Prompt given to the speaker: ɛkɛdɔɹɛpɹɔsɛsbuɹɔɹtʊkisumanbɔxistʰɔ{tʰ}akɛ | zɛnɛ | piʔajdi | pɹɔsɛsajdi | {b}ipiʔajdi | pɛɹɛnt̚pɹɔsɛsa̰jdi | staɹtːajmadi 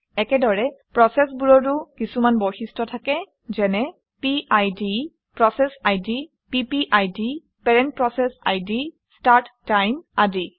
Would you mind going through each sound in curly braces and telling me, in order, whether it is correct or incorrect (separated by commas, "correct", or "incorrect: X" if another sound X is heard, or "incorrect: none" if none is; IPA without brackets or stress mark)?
correct, incorrect: p